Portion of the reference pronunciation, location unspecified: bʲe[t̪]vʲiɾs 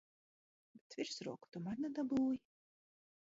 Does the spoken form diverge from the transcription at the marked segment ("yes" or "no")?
no